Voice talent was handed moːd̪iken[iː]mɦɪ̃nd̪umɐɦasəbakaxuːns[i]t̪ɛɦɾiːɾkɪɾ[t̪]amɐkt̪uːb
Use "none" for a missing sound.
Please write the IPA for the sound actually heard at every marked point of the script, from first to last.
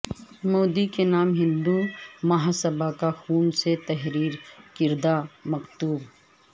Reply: aː, e, d̪

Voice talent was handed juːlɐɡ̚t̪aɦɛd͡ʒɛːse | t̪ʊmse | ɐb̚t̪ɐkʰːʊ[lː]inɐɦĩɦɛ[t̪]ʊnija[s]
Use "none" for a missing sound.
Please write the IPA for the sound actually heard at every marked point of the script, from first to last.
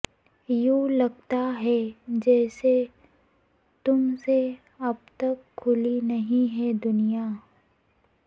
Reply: l, d̪, none

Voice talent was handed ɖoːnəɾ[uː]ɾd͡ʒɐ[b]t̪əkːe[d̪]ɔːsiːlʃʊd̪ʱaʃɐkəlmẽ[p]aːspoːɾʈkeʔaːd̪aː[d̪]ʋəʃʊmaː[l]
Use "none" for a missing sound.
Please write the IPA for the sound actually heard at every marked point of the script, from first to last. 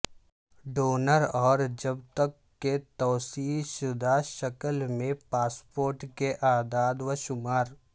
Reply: ɔː, b, t̪, p, d̪, ɾ

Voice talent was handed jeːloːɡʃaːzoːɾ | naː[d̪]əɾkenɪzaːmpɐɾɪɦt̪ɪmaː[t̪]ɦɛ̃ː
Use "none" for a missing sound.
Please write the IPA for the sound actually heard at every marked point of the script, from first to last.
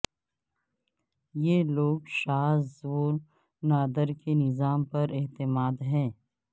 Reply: d̪, d̪

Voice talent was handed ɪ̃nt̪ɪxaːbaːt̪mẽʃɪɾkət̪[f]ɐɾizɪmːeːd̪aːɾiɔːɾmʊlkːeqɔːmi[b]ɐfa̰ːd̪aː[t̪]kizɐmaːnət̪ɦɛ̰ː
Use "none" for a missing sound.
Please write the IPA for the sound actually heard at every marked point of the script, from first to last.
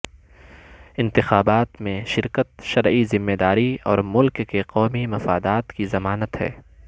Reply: ʃ, m, t̪

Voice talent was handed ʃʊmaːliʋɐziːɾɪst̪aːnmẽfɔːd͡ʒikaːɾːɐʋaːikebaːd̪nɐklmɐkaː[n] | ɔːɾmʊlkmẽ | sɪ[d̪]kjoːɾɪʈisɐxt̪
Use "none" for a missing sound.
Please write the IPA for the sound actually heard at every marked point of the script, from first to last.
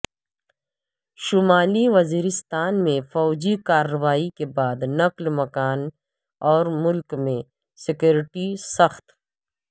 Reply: n, none

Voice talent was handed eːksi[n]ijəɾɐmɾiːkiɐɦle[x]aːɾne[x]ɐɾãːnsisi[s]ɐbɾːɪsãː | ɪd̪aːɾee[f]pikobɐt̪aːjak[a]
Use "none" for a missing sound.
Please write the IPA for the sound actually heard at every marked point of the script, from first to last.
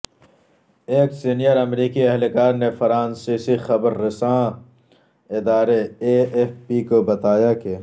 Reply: n, k, f, x, f, e

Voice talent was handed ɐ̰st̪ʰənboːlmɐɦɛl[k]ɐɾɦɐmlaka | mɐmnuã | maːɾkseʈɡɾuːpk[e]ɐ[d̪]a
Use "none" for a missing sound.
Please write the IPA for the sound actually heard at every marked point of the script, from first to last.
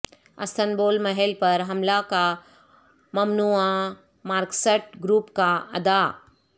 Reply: p, a, d̪

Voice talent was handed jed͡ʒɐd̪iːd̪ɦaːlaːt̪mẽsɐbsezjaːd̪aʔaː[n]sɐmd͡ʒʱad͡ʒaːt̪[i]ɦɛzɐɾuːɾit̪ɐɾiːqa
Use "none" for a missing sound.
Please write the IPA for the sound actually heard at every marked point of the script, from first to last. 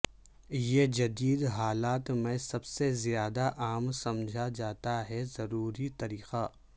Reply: m, a

